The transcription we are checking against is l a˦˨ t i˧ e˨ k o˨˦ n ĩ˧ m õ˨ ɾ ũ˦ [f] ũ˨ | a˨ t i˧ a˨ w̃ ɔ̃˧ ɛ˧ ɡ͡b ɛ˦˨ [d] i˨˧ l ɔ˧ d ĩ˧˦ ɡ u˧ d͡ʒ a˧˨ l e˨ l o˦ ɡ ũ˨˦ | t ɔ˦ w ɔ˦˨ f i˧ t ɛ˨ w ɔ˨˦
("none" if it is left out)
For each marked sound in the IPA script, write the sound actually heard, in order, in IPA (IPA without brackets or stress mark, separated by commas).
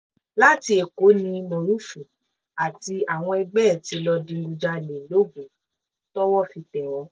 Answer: f, t